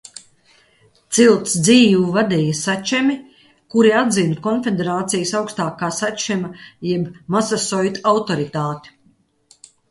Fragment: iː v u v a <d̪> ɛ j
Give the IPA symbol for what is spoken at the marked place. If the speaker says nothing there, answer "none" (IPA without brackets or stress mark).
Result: d̪